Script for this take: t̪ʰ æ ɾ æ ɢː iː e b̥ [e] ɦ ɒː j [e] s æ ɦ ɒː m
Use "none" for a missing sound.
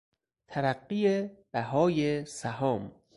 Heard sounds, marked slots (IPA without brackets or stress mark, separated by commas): æ, e